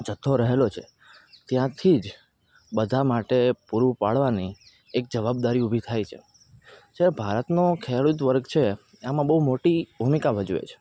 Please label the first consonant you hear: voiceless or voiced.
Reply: voiced